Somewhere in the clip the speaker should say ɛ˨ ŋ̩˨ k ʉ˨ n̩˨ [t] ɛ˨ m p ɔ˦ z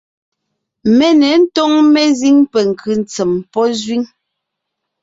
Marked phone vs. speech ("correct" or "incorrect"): incorrect